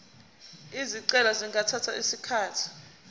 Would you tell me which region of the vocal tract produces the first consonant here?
tongue tip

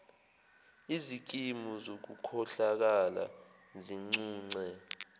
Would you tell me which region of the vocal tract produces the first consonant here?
tongue tip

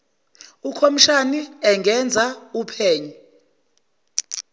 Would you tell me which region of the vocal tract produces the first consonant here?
velum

